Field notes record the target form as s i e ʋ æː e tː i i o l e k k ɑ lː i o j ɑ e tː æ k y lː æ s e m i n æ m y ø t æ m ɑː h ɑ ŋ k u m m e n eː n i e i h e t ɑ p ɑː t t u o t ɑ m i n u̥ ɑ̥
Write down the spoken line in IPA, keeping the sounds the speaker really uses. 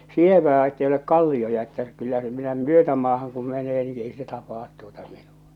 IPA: s i e ʋ æː e tː e i o l e k k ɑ lː i o j ɑ e tː æ k y lː æ s e m i n æ m y ø t æ m ɑː h ɑ ŋ k u m m e n eː n i e i s e t ɑ p ɑː t t u o t ɑ m i n u̥ ɑ̥

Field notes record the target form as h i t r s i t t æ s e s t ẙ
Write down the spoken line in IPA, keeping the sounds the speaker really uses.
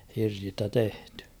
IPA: h i r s i s t æ t e h t ẙ

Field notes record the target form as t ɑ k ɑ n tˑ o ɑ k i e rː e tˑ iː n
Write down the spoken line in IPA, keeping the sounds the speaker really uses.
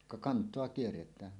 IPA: k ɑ k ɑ n tˑ o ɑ k i e rː e tˑ æː n

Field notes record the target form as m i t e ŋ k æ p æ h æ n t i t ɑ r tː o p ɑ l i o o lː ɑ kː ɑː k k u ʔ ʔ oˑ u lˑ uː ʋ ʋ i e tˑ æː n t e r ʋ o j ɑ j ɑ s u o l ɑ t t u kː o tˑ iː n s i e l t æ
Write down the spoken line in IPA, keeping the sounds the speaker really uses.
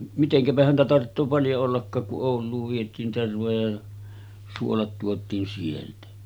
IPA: m i t e ŋ k æ p æ h æ n t æ t ɑ r tː oː p ɑ l j o o lː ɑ kː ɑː k k u ʔ ʔ oˑ u lˑ uː ʋ ʋ i e tˑ iː n t e r ʋ o j ɑ j ɑ s u o l ɑ t t u o tˑ iː n s i e l t æ

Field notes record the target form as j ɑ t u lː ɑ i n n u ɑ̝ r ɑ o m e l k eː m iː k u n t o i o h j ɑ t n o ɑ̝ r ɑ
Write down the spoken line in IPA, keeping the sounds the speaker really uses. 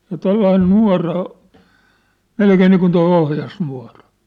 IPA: j ɑ t o lː ɑ i n n u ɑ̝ r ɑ o m e l k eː n iː k u n t o i o h j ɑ s n u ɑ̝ r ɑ

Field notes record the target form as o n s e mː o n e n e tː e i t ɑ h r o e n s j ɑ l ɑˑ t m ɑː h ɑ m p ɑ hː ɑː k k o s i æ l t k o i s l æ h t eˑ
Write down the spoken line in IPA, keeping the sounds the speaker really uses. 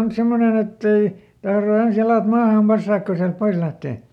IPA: o n s e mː o n e n e tː e i t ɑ h r o e n s j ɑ l ɑˑ t m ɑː h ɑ m p ɑ sː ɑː k k o s i æ l t p o i s l æ h t eˑ

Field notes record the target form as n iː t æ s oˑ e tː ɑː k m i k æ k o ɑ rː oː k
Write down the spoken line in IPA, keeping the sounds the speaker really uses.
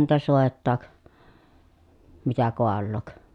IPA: n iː t æ s oˑ e tː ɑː k m i t æ k o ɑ lː oː k

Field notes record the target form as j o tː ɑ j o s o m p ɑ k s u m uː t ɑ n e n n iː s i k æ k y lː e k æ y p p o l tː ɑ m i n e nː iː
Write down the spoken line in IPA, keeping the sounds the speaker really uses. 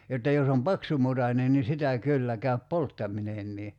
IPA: j o tː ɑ j o s o m p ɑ k s u m u t ɑ n e n n i s i t æ k y lː æ k æ y p p o l tː ɑ m i n e nː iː

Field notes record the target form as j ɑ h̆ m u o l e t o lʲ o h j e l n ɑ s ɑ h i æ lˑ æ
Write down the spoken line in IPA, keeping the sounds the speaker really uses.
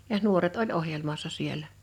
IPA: j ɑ h̆ n u o r e t o lʲ o h j e l m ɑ sː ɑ s i e lˑ æ

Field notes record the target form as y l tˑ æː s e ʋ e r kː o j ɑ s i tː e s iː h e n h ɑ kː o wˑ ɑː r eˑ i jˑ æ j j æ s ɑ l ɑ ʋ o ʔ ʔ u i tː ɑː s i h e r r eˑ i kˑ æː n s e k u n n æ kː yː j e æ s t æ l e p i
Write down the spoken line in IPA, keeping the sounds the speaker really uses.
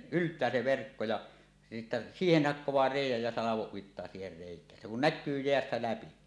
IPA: y l tˑ æː s e ʋ e r kː o j ɑ s i tː æ s iː h e n h ɑ kː o wˑ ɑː r eˑ i jˑ æ j j æ s ɑ l ɑ ʋ o ʔ ʔ u i tː ɑː s iː h e r r eˑ i kˑ æː n s e k u n n æ kː yː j e æ s t æ l æ p i

